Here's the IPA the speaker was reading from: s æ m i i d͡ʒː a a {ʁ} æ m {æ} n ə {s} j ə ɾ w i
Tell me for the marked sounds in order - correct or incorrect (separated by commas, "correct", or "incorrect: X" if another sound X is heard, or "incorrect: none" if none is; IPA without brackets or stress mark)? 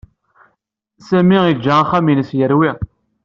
incorrect: χ, incorrect: i, correct